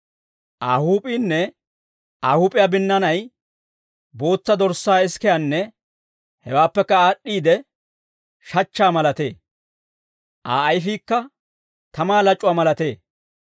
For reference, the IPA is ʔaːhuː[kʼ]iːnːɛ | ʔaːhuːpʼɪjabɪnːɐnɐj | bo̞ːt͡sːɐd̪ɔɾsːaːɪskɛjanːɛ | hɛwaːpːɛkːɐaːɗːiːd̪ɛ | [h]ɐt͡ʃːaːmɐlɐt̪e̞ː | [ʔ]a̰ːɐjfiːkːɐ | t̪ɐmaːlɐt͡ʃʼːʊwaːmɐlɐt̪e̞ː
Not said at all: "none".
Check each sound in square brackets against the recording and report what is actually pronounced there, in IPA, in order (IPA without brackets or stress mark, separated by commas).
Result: pʼ, ʃ, ʔ